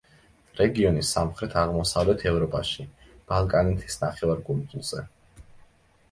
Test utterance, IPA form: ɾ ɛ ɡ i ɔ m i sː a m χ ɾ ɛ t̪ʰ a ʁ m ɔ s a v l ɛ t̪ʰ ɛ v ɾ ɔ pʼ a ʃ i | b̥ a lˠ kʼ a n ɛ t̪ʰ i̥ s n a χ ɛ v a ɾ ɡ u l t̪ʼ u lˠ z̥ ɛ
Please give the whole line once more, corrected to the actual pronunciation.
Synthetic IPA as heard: ɾ ɛ ɡ i ɔ n i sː a m χ ɾ ɛ t̪ʰ a ʁ m ɔ s a v l ɛ t̪ʰ ɛ v ɾ ɔ pʼ a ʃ i | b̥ a lˠ kʼ a n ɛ t̪ʰ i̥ s n a χ ɛ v a ɾ ɡ u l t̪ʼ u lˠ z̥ ɛ